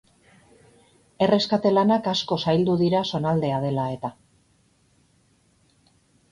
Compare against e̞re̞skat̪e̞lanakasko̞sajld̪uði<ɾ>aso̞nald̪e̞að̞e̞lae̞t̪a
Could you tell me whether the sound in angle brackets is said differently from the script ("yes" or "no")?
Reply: no